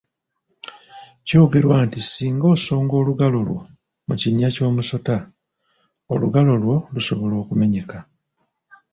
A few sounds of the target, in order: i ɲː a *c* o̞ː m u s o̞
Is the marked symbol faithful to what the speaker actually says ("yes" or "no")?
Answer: yes